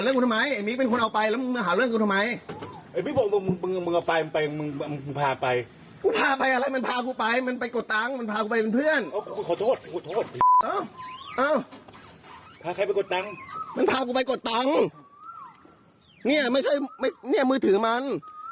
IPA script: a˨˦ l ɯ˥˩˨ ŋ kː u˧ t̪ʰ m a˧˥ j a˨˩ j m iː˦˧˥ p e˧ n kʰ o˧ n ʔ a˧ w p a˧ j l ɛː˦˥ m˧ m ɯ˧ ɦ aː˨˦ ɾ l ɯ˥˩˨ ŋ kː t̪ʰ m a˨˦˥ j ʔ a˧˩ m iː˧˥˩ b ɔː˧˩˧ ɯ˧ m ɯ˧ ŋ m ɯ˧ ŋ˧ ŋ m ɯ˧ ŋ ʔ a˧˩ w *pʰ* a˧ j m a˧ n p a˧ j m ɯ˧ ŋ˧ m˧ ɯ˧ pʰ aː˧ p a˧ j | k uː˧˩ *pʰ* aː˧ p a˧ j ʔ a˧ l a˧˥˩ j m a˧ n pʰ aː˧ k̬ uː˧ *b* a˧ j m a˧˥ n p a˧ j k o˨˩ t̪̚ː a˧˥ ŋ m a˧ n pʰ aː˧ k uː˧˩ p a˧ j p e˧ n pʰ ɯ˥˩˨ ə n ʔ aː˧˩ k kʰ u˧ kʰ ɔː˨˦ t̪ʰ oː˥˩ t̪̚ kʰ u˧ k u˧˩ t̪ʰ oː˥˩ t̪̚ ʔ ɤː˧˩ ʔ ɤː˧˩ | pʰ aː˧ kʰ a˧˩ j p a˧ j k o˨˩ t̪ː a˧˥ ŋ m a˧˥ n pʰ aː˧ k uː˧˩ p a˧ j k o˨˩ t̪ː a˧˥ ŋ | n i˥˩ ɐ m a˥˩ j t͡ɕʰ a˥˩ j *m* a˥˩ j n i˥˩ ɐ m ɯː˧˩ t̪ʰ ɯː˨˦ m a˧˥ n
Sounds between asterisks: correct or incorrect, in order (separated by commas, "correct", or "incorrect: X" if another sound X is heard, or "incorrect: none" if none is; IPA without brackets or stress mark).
incorrect: p, correct, incorrect: p, correct